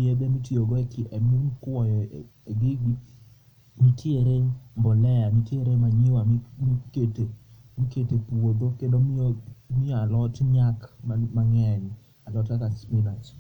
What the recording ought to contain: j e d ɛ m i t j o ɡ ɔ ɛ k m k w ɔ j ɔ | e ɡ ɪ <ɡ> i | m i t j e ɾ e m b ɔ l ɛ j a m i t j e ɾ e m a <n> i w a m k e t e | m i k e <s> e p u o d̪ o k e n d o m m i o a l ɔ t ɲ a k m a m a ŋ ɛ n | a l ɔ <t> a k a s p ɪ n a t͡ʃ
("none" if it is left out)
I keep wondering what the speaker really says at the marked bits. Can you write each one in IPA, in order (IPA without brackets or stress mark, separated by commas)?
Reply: ɡ, ɲ, t, t